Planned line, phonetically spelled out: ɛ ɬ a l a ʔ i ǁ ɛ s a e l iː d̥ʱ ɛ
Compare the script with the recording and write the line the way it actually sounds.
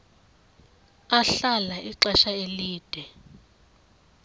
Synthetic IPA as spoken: a ɬ a l a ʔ i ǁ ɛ ʃ a e l iː d̥ʱ ɛ